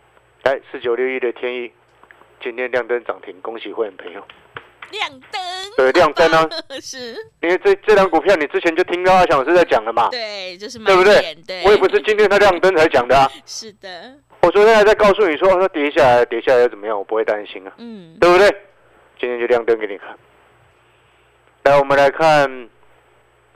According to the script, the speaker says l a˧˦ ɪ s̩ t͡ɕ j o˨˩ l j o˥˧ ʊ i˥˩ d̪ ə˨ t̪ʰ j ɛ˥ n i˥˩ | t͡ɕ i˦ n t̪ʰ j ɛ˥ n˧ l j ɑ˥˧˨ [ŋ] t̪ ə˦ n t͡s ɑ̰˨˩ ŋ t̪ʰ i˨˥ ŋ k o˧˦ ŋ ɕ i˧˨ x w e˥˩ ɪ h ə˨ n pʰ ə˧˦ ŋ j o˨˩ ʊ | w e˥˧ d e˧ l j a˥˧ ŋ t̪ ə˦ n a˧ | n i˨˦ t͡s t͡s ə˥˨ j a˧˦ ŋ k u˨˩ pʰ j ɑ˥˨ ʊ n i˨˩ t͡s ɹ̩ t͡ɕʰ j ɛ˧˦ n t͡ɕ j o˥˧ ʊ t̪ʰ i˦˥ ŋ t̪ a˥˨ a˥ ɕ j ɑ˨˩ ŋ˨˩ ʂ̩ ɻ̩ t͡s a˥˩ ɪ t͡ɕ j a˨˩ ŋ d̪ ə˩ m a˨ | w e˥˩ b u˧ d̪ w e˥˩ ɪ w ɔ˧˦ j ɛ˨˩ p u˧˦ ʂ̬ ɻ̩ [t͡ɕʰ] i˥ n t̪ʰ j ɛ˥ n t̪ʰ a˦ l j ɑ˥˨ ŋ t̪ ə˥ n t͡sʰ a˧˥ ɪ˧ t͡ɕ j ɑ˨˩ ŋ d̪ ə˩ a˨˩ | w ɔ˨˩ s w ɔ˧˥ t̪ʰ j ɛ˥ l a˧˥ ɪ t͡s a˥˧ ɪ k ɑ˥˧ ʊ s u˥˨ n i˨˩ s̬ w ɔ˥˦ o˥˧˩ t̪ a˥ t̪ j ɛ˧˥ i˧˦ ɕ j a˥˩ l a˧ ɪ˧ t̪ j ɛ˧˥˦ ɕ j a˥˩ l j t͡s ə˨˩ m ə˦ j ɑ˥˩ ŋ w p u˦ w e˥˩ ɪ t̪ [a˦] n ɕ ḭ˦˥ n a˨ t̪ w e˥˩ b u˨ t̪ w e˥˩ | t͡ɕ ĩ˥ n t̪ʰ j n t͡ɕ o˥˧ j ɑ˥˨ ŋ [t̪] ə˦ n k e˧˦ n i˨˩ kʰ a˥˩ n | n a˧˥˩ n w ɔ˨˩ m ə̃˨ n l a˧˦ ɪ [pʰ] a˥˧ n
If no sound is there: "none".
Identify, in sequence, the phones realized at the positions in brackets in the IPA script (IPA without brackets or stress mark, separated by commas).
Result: ŋ, t͡ɕ, a˦, t̪, kʰ